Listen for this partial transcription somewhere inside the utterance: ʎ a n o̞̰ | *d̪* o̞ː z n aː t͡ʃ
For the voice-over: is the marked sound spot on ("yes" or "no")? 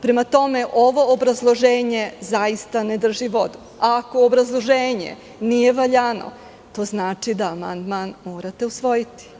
no